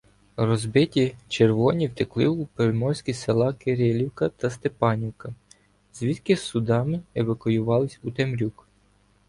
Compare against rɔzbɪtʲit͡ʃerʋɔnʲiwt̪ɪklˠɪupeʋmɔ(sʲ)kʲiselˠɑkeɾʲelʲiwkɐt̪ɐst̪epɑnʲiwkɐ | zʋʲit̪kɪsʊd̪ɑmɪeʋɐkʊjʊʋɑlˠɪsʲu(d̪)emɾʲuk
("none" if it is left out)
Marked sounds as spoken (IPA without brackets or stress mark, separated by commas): sʲ, t̪